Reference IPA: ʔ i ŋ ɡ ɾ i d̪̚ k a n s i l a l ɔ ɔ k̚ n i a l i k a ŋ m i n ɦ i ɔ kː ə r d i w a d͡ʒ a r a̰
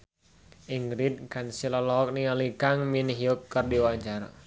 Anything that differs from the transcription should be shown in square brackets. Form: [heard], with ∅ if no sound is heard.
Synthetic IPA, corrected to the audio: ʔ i ŋ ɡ ɾ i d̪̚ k a n s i l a l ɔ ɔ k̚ n i a l i k a ŋ m i n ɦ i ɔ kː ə r d i w a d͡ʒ a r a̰